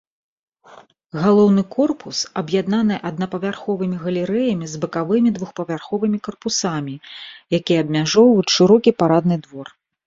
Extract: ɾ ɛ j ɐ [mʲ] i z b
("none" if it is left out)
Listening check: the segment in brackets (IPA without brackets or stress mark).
mʲ